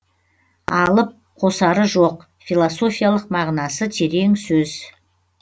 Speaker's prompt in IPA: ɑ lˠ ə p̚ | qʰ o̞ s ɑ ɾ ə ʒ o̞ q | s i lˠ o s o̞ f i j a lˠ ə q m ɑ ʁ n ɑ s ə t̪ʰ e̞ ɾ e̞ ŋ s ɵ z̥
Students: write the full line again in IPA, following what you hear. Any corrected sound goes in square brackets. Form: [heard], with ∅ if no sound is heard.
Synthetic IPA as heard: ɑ lˠ ə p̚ | qʰ o̞ s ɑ ɾ ə ʒ o̞ q | [f] i lˠ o s o̞ f i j a lˠ ə q m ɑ ʁ n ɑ s ə t̪ʰ e̞ ɾ e̞ ŋ s ɵ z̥